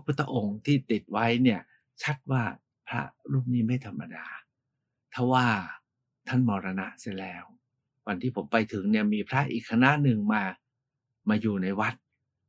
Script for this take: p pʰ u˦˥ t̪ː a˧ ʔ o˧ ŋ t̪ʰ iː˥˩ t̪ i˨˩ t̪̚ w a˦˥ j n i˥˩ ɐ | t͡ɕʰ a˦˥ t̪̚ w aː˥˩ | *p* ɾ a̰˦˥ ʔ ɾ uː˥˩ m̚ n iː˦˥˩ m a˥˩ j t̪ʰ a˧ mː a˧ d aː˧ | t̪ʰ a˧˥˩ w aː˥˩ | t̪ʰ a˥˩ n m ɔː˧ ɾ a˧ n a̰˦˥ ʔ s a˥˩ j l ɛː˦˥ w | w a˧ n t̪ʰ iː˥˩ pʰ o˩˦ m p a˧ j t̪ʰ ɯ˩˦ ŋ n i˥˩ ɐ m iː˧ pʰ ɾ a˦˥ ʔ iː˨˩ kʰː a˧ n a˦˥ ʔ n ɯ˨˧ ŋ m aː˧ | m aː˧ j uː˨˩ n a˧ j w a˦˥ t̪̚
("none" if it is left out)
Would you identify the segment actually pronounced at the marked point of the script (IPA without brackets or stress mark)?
pʰ